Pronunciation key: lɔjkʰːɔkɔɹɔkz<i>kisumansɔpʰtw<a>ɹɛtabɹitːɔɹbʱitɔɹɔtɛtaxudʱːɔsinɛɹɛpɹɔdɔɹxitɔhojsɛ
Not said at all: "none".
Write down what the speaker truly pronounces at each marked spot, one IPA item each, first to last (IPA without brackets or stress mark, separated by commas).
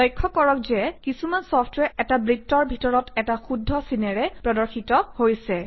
ɛ, ɛ